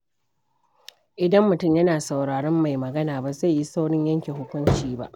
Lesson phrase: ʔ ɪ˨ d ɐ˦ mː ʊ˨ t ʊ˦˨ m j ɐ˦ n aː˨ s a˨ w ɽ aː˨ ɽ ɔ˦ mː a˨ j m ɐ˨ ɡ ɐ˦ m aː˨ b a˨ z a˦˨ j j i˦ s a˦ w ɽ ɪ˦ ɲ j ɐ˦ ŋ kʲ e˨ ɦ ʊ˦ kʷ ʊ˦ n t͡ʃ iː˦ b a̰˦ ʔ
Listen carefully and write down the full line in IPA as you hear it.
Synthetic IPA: ʔ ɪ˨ d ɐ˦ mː ʊ˨ t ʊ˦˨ m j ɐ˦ n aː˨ s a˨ w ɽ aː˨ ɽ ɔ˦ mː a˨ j m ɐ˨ ɡ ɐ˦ n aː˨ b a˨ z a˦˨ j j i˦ s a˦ w ɽ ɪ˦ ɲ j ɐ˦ ŋ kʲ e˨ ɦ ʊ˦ kʷ ʊ˦ n t͡ʃ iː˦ b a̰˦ ʔ